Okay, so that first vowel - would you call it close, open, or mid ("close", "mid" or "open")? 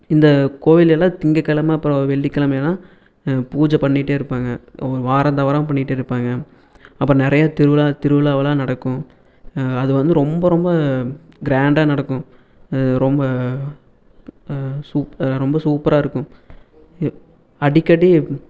close